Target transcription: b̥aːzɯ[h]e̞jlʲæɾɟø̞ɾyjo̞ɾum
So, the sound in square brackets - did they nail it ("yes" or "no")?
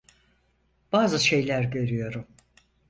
no